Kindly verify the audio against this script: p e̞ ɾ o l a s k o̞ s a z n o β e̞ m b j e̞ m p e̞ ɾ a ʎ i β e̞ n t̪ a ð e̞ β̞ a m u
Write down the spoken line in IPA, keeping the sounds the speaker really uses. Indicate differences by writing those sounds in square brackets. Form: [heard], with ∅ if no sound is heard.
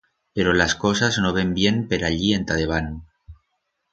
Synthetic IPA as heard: p e̞ ɾ o l a s k o̞ s a z n o β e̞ m b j e̞ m p e̞ ɾ a ʎ i [∅] e̞ n t̪ a ð e̞ β̞ a [n] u